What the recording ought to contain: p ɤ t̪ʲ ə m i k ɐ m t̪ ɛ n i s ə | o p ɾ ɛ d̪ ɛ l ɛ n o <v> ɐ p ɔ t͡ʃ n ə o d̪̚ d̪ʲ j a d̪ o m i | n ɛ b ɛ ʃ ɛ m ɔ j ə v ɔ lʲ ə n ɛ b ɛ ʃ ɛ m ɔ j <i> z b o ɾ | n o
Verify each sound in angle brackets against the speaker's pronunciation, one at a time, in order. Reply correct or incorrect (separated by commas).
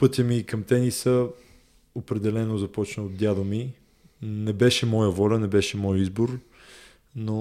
incorrect, correct